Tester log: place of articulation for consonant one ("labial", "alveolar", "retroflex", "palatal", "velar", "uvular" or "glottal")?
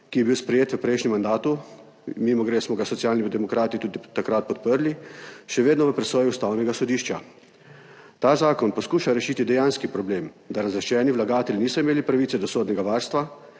velar